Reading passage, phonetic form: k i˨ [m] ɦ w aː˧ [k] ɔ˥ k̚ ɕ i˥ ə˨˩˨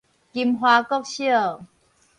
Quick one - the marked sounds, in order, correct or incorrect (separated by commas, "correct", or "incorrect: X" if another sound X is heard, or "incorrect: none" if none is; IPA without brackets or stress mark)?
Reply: correct, correct